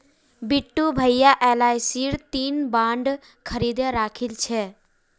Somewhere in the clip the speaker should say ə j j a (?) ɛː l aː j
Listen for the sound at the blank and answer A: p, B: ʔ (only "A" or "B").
B